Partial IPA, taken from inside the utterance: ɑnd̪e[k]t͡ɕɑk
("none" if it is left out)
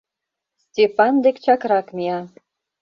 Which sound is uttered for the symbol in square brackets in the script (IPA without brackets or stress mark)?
k